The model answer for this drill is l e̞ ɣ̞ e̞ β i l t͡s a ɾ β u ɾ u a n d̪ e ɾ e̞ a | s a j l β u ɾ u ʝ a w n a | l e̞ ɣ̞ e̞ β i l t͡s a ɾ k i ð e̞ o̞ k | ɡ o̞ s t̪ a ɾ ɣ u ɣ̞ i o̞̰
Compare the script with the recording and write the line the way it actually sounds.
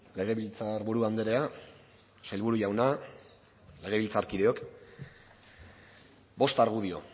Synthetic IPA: l e̞ ɣ̞ e̞ β i l t͡s a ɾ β u ɾ u a n d̪ e ɾ e̞ a | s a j l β u ɾ u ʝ a w n a | l e̞ ɣ̞ e̞ β i l t͡s a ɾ k i ð e̞ o̞ k | b o̞ s t̪ a ɾ ɣ u ð̞ i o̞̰